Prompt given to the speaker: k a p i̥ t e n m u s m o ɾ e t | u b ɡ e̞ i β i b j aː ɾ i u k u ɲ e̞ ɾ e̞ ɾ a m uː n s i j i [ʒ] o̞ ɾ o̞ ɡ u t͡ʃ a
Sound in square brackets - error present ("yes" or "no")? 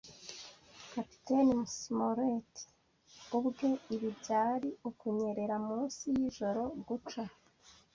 no